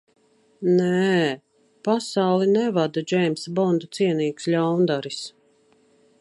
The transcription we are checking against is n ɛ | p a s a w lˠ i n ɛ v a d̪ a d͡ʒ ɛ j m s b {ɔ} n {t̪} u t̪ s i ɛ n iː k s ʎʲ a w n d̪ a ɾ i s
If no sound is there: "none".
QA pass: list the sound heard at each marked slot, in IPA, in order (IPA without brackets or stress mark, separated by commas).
ɔ, d̪